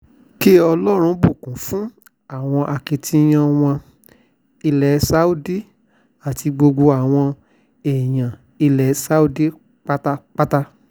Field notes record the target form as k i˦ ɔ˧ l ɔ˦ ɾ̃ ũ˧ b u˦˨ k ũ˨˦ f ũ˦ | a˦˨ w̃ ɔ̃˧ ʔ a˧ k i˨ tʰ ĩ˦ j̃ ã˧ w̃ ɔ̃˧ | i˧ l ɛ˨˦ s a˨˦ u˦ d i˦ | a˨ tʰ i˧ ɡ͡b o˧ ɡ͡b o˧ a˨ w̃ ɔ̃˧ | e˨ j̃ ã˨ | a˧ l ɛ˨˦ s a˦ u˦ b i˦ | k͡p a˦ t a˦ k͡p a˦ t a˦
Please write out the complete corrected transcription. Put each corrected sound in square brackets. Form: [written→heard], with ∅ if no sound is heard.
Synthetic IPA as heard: k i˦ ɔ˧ l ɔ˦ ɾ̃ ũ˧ b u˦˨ k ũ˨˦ f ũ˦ | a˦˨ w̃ ɔ̃˧ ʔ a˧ k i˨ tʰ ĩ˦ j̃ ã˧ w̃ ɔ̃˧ | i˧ l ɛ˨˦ s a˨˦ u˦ d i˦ | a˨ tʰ i˧ ɡ͡b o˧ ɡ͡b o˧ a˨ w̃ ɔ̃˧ | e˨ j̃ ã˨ | [a˧→i˧] l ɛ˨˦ s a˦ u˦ [b→d] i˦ | k͡p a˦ t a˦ k͡p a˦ t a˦